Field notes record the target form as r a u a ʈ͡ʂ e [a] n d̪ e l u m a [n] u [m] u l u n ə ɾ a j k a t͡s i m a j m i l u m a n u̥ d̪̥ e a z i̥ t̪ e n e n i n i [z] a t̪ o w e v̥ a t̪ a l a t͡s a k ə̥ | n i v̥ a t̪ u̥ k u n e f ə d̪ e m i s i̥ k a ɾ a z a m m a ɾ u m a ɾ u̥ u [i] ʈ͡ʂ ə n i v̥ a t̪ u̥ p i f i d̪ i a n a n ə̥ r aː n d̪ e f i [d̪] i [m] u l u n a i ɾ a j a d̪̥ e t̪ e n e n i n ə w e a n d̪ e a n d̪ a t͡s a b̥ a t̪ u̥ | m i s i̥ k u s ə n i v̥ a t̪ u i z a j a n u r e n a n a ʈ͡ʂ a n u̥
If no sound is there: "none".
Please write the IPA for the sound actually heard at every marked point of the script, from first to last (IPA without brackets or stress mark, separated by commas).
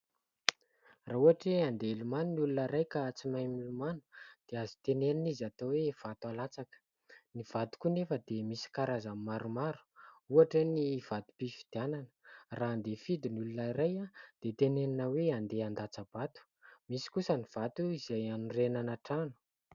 a, n, n, z, a, d̪, n